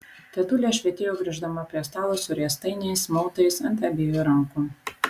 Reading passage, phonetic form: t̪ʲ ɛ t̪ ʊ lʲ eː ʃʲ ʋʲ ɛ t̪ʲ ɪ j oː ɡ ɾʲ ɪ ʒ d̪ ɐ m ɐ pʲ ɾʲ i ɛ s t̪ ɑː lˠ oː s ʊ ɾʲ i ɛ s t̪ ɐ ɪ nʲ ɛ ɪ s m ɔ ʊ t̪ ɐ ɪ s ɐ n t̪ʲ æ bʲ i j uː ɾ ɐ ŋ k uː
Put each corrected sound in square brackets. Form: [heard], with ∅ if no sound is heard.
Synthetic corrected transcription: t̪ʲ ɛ t̪ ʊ lʲ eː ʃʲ ʋʲ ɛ t̪ʲ ɪ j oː ɡ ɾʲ ɪ ʒ d̪ ɐ m ɐ pʲ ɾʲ i ɛ s t̪ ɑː lˠ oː s ʊ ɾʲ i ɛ s t̪ ɐ ɪ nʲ ɛ ɪ s m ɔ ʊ t̪ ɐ ɪ s ɐ n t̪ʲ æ bʲ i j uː ɾ ɐ ŋ k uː